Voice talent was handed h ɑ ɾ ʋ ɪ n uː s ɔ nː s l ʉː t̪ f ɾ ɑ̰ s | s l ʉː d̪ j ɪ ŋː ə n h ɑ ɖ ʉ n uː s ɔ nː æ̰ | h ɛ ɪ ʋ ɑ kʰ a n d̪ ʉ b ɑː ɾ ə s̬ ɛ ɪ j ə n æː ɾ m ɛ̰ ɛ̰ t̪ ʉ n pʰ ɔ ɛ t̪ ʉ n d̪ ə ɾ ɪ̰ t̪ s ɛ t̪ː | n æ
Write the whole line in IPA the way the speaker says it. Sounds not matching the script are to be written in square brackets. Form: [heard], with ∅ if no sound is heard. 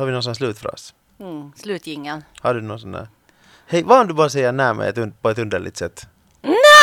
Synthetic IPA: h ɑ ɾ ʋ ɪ n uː s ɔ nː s l ʉː t̪ f ɾ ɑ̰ s | s l ʉː [t̪] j ɪ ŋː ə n h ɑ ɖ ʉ n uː s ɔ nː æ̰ | h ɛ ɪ ʋ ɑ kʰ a n d̪ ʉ b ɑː ɾ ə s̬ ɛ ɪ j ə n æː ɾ m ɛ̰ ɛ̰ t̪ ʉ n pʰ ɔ ɛ t̪ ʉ n d̪ ə [ɭ] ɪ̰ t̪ s ɛ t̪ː | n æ